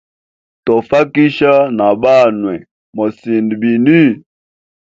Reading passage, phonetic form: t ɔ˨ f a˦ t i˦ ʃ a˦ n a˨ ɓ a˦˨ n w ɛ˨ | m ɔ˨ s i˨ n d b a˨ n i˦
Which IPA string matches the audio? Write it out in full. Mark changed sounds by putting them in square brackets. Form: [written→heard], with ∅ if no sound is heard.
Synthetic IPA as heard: t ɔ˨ f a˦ [t→k] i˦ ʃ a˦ n a˨ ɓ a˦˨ n w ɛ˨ | m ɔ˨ s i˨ n d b [a˨→i˨] n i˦